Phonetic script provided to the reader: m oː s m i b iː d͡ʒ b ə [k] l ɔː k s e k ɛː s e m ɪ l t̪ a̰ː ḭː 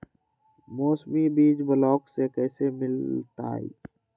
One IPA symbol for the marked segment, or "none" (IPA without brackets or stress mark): none